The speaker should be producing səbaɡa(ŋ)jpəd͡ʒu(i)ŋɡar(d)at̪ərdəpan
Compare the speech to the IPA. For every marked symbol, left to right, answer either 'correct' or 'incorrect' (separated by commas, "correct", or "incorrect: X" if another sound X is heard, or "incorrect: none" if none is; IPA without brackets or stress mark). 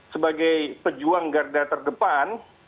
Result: incorrect: none, incorrect: a, correct